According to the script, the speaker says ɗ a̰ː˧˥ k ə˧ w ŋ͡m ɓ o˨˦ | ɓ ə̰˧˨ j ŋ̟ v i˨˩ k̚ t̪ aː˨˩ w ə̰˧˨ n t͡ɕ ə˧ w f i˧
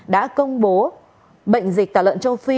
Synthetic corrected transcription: ɗ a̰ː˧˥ k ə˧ w ŋ͡m ɓ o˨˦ | ɓ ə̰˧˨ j ŋ̟ z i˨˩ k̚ t̪ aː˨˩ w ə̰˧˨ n t͡ɕ ə˧ w f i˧

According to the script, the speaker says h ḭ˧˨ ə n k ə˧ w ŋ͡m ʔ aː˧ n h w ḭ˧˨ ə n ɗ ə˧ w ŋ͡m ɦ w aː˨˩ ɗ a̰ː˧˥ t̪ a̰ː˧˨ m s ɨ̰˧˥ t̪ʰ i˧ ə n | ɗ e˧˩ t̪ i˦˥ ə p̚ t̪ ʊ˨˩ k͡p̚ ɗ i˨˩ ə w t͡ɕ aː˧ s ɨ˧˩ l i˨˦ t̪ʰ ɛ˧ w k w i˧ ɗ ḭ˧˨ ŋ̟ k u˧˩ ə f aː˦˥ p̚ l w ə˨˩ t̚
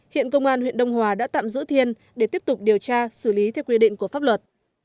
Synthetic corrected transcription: h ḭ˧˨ ə n k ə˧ w ŋ͡m ʔ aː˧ n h w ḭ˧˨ ə n ɗ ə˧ w ŋ͡m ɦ w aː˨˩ ɗ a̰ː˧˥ t̪ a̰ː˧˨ m z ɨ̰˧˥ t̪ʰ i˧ ə n | ɗ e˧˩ t̪ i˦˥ ə p̚ t̪ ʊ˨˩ k͡p̚ ɗ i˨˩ ə w t͡ɕ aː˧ s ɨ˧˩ l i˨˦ t̪ʰ ɛ˧ w k w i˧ ɗ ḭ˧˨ ŋ̟ k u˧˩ ə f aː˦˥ p̚ l w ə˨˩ t̚

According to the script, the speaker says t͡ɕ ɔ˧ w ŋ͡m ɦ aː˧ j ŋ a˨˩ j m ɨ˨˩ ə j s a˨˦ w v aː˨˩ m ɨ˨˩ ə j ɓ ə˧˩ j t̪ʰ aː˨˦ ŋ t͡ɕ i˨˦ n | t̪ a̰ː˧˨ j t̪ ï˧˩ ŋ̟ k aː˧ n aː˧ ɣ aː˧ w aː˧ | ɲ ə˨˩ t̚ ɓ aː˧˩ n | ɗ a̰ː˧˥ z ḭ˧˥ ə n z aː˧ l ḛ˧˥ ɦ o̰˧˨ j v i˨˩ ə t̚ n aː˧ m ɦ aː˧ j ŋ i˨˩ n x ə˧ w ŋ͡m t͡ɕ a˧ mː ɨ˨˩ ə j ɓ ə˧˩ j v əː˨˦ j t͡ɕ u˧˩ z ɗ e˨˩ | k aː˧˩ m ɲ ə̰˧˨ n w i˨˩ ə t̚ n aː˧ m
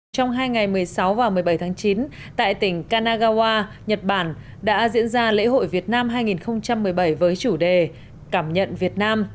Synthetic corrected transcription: t͡ɕ ɔ˧ w ŋ͡m ɦ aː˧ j ŋ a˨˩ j m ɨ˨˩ ə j s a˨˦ w v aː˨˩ m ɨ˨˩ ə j ɓ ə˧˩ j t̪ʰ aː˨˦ ŋ t͡ɕ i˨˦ n | t̪ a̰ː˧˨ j t̪ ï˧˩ ŋ̟ k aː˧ n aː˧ ɣ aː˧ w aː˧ | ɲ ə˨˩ t̚ ɓ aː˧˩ n | ɗ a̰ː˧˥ z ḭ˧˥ ə n z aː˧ l ḛ˧˥ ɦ o̰˧˨ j v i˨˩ ə t̚ n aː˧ m ɦ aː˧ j ŋ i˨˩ n x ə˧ w ŋ͡m t͡ɕ a˧ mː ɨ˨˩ ə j ɓ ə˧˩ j v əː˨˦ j t͡ɕ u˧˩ ɗ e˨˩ | k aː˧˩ m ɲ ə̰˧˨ n v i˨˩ ə t̚ n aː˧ m

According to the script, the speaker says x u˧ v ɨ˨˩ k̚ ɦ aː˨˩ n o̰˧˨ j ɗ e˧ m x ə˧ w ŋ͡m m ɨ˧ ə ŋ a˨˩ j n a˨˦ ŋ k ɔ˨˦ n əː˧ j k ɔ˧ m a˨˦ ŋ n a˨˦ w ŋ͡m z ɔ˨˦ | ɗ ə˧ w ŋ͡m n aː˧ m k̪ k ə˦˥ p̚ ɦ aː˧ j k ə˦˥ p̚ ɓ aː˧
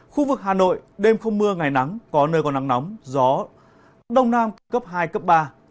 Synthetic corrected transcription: x u˧ v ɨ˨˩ k̚ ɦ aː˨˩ n o̰˧˨ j ɗ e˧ m x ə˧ w ŋ͡m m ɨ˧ ə ŋ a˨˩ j n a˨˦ ŋ k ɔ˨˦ n əː˧ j k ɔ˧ n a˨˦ ŋ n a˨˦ w ŋ͡m z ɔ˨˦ | ɗ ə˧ w ŋ͡m n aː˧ m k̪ k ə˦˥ p̚ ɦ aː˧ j k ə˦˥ p̚ ɓ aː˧

